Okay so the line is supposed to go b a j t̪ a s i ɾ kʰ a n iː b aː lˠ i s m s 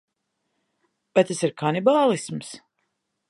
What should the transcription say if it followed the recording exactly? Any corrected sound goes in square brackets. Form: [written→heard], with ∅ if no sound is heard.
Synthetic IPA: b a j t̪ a s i ɾ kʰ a n [iː→i] b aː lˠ i s m s

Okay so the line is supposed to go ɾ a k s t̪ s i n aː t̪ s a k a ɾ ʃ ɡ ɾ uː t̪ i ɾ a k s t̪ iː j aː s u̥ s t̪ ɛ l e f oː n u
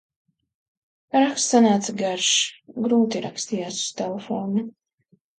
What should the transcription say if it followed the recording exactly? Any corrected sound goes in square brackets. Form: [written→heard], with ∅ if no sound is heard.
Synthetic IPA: ɾ a k s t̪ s [i→a] n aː t̪ s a [k→ɡ] a ɾ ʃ ɡ ɾ uː t̪ i ɾ a k s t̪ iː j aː s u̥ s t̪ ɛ l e f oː n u

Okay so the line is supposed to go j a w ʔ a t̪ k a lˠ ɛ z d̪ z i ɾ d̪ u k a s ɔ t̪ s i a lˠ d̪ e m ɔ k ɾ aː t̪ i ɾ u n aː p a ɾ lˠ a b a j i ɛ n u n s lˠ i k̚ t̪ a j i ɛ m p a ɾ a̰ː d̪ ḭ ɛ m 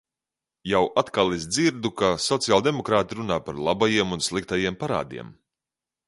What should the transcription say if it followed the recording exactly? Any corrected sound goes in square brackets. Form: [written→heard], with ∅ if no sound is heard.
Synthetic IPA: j a w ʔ a t̪ k a lˠ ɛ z d̪ z i ɾ d̪ u k a s ɔ t̪ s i a lˠ d̪ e m ɔ k ɾ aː t̪ i ɾ u n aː p a ɾ lˠ a b a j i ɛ [n→m] u n s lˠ i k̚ t̪ a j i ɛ m p a ɾ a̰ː d̪ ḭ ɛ m

